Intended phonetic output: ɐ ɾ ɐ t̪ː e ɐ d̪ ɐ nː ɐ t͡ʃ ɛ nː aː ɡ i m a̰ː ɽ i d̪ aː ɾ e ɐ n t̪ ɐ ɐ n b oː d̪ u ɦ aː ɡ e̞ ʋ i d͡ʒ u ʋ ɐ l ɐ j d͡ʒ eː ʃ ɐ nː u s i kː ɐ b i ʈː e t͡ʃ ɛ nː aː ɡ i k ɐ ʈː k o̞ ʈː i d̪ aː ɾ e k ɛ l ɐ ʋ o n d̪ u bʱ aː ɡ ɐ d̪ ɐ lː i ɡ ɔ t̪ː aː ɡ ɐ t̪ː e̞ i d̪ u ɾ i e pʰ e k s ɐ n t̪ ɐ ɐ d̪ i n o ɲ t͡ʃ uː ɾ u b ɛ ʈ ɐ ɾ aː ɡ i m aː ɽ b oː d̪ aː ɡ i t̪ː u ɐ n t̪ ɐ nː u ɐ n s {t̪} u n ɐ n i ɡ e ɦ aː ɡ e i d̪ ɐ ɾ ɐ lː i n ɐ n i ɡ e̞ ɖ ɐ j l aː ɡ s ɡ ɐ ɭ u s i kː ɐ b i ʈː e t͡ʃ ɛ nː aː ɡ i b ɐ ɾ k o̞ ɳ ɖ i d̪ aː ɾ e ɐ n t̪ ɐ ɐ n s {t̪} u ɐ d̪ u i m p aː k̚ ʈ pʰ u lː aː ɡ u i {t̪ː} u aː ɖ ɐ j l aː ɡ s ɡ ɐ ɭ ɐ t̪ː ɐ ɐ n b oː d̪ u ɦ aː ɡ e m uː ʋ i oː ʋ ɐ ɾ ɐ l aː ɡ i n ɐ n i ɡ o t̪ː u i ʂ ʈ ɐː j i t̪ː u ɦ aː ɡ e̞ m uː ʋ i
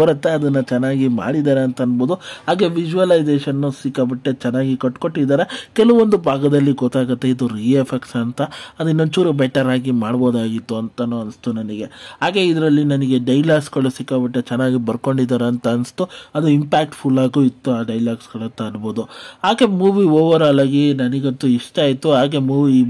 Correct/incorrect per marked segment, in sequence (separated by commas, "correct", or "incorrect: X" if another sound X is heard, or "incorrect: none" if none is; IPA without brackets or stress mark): correct, correct, correct